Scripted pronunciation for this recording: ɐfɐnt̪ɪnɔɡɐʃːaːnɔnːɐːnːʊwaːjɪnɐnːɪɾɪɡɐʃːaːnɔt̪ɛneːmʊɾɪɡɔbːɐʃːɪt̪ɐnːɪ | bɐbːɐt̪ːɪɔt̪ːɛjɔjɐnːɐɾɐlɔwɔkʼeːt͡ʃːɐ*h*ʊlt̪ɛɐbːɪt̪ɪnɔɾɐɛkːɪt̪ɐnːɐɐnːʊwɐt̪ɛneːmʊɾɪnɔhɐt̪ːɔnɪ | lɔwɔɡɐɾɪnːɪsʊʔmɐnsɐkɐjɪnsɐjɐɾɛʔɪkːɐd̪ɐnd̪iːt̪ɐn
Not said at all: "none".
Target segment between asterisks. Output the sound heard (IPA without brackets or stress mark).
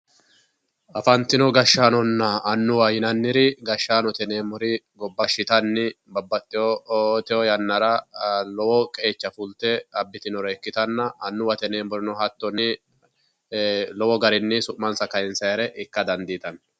f